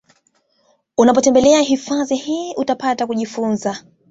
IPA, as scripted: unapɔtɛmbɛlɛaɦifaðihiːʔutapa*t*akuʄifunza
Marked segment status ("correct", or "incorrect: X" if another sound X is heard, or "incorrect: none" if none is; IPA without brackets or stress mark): correct